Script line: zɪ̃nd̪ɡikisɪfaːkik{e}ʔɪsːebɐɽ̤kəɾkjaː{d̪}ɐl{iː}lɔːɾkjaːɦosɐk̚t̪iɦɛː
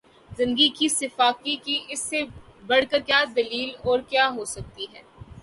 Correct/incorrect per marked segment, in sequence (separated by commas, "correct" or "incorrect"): incorrect, correct, correct